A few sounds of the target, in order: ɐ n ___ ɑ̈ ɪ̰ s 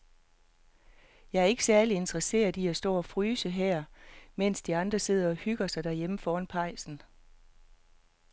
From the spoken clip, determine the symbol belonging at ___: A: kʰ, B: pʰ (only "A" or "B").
B